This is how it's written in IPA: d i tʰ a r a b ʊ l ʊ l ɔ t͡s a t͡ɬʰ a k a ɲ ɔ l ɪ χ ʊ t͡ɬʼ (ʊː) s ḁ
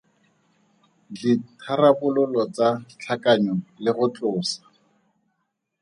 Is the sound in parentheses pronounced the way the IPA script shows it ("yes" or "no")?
yes